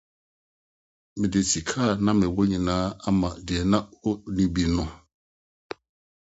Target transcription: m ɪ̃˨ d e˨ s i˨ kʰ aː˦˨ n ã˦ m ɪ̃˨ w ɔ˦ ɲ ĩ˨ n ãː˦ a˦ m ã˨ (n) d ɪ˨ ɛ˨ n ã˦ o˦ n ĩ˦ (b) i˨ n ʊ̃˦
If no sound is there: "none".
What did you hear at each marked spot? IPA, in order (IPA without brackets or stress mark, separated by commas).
none, b